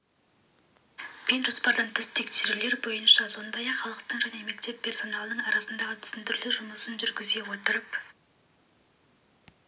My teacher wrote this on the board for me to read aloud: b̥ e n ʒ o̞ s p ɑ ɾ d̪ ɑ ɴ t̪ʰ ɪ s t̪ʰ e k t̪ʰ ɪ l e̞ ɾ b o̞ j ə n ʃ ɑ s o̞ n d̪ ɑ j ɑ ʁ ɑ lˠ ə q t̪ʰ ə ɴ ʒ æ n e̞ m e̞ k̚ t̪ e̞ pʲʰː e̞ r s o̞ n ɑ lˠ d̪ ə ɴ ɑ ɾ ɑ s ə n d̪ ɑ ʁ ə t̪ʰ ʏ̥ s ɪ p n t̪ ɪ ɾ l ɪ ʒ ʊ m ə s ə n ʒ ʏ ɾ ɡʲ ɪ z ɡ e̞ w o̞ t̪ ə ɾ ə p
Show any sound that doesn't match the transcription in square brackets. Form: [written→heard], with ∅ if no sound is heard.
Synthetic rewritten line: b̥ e n ʒ o̞ s p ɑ ɾ d̪ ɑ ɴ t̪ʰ ɪ s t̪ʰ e k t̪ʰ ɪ l e̞ ɾ b o̞ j ə n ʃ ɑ s o̞ n d̪ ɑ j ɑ [ʁ→χ] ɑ lˠ ə q [t̪ʰ→t̪] ə ɴ ʒ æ n e̞ m e̞ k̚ t̪ e̞ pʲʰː e̞ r s o̞ n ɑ lˠ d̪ ə ɴ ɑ ɾ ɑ s ə n d̪ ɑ ʁ ə t̪ʰ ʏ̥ s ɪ [p→∅] n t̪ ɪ ɾ l ɪ ʒ ʊ m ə s ə n ʒ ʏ ɾ ɡʲ ɪ z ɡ e̞ w o̞ t̪ ə ɾ ə p